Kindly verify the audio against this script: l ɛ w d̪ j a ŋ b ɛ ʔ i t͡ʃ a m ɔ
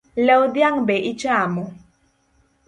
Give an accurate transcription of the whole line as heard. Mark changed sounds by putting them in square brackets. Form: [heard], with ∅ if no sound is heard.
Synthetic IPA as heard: l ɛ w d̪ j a ŋ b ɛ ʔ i t͡ʃ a m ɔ